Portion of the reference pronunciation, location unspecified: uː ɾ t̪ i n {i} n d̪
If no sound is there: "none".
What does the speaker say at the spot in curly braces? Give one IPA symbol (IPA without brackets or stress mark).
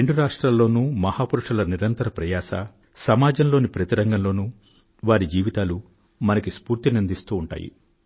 i